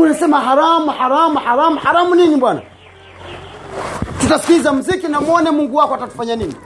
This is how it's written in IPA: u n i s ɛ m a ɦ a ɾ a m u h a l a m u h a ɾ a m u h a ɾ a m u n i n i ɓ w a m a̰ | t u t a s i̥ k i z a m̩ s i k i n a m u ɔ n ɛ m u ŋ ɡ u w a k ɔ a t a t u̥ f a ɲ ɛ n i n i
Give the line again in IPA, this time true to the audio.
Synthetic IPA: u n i s ɛ m a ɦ a ɾ a m u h a ɾ a m u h a ɾ a m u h a ɾ a m u n i n i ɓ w a n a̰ | t u t a s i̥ k i z a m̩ z i k i n a m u ɔ n ɛ m u ŋ ɡ u w a k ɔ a t a t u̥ f a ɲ a n i n i